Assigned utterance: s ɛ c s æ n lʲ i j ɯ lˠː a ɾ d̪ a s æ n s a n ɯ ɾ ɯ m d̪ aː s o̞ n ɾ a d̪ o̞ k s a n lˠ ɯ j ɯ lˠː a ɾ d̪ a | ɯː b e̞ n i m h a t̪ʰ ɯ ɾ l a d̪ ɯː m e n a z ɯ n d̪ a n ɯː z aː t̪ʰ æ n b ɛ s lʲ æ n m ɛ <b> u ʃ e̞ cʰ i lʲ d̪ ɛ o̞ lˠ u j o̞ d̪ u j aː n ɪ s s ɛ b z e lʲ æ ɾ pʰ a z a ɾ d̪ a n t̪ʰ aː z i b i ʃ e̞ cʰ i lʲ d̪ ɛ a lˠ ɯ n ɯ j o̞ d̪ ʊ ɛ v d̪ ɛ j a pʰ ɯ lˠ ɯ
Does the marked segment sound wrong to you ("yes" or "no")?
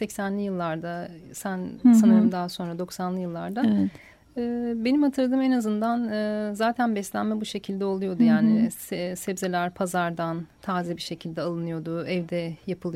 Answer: no